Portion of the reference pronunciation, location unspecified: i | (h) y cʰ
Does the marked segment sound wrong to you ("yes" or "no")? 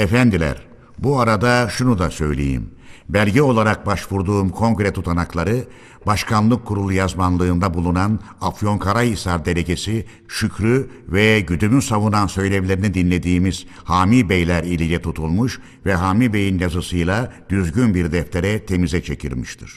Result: yes